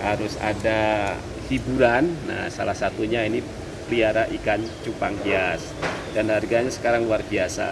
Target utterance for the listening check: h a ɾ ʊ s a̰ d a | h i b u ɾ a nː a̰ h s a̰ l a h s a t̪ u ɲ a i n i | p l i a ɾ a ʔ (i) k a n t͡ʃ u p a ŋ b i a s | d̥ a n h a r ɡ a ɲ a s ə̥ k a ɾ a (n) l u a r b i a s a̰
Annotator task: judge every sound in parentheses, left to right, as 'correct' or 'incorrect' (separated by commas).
correct, incorrect